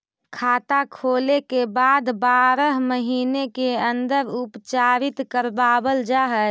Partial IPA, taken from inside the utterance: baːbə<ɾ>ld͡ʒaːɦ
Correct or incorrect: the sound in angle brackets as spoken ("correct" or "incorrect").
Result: incorrect